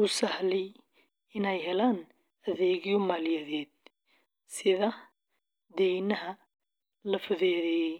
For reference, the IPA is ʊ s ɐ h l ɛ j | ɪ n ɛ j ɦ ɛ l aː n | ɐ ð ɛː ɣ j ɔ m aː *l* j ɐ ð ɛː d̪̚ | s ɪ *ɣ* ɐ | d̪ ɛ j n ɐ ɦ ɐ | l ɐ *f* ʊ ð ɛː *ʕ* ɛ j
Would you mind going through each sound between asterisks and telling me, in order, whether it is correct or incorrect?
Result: correct, incorrect: ð, correct, incorrect: ð

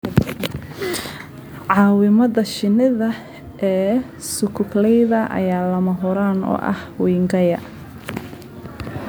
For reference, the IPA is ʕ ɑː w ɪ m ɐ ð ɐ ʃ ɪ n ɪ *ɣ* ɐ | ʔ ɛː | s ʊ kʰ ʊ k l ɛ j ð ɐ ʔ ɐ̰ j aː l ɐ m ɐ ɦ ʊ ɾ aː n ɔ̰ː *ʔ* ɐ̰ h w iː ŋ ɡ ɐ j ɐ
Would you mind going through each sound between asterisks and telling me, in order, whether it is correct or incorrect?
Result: incorrect: ð, correct

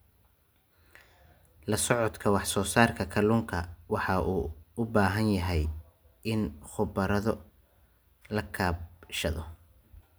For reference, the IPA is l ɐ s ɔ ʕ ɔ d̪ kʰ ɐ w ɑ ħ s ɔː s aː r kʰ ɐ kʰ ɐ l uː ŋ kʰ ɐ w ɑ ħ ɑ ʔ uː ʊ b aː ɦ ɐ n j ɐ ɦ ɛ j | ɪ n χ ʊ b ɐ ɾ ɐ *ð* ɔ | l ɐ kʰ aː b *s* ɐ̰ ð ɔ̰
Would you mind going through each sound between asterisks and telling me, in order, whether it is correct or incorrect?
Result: correct, incorrect: ʃ

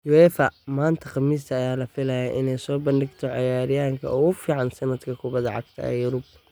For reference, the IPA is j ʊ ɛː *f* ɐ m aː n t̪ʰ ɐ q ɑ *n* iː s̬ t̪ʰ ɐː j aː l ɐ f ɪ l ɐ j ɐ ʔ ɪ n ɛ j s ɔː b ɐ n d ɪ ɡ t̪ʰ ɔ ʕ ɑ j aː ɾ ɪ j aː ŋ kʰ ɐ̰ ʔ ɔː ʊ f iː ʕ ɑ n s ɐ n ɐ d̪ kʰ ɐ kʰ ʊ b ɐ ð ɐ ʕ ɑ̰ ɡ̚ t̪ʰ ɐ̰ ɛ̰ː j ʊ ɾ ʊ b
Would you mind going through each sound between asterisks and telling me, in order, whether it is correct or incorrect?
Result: correct, incorrect: m

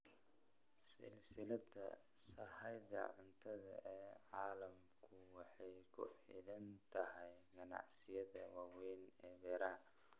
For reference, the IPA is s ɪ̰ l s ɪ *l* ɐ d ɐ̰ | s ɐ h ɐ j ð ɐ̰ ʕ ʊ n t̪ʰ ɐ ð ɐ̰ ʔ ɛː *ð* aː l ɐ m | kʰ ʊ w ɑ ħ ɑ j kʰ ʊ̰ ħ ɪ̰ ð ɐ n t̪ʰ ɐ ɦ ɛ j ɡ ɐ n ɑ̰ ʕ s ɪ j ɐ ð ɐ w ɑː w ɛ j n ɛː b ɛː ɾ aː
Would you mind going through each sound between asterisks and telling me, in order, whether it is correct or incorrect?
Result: correct, incorrect: ʕ

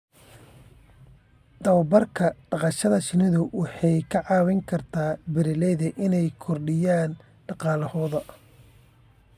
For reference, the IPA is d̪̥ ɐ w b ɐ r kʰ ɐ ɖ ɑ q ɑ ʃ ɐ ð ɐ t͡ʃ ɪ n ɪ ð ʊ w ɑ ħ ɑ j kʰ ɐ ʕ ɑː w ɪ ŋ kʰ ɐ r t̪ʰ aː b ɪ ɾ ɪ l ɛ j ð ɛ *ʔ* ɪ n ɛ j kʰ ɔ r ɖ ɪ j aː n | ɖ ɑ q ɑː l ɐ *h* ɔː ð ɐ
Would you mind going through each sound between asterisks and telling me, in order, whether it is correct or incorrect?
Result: correct, correct

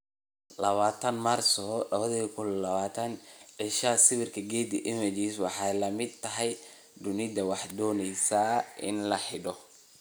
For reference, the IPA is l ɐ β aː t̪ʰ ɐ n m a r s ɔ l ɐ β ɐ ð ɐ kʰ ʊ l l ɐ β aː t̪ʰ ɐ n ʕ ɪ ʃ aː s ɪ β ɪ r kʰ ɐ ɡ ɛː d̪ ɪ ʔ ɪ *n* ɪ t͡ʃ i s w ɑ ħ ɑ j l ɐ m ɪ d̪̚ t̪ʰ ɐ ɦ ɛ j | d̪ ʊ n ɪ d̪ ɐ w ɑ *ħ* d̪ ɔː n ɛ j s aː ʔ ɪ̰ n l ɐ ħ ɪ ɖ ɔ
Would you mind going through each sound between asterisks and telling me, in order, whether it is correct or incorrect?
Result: incorrect: m, correct

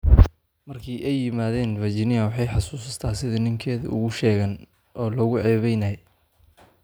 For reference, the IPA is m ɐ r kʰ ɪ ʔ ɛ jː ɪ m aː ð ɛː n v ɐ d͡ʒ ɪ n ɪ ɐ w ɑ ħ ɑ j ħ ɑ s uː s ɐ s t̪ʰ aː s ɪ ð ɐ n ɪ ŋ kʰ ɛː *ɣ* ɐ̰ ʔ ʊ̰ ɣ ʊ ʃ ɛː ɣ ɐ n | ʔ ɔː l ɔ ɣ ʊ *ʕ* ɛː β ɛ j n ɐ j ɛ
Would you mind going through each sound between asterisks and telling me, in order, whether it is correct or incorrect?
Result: incorrect: ð, correct

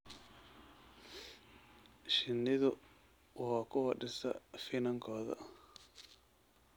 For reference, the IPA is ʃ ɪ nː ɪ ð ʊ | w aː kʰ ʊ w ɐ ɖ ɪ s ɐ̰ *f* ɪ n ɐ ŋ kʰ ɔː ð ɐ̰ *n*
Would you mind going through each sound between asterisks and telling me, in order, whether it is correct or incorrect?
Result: correct, incorrect: none

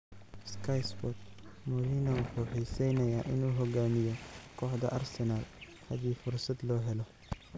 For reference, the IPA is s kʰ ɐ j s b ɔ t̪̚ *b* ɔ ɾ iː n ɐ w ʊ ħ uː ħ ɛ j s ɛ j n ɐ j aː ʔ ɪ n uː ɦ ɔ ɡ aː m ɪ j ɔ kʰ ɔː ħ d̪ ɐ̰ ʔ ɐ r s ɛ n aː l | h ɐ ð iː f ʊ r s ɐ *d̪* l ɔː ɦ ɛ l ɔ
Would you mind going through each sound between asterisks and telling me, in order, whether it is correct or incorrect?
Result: incorrect: m, correct

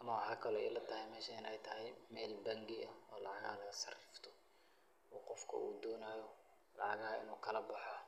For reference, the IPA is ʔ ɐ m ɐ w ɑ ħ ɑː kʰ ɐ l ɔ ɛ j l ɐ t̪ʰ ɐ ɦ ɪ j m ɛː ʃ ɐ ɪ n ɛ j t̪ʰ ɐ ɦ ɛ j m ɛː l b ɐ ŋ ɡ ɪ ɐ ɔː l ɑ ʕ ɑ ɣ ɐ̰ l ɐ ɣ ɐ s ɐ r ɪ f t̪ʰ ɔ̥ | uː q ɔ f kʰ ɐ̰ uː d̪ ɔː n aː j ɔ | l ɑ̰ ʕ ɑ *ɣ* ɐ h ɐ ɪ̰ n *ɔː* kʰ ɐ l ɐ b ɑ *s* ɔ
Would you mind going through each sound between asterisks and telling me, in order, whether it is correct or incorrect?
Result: correct, incorrect: uː, incorrect: ħ

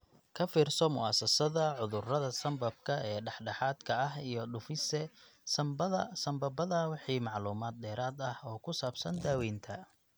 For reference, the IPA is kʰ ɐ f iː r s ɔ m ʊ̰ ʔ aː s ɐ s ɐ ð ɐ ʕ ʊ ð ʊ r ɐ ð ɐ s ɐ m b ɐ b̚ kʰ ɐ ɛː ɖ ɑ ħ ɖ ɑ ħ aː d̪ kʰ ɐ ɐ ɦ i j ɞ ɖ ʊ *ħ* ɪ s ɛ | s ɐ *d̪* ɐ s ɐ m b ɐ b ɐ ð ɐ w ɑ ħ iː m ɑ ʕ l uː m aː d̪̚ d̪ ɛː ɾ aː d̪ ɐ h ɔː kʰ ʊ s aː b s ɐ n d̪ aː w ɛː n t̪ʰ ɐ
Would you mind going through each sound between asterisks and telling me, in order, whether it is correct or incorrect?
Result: incorrect: f, incorrect: none

